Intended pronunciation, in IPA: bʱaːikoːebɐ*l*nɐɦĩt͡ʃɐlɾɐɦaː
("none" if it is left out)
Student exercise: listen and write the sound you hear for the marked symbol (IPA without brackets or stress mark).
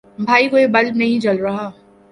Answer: l